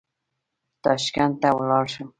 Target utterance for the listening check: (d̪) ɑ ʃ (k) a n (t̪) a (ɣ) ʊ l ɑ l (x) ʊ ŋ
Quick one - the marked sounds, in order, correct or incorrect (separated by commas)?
incorrect, correct, correct, incorrect, incorrect